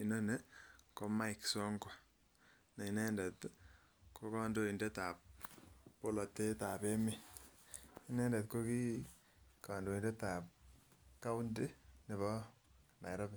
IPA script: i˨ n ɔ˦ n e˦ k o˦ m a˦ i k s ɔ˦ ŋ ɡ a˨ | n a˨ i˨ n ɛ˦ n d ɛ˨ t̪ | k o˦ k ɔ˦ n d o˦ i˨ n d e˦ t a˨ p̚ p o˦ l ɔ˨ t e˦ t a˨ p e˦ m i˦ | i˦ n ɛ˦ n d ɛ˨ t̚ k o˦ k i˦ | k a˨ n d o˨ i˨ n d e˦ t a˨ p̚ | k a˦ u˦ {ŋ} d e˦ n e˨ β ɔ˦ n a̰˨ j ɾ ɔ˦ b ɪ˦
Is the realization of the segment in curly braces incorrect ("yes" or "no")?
yes